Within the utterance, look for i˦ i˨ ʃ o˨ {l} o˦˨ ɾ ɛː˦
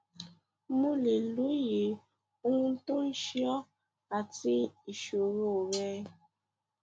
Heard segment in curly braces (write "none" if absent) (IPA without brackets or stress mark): ɾ